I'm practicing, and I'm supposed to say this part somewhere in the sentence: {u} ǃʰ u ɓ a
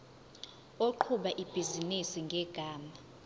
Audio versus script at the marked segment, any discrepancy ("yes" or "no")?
yes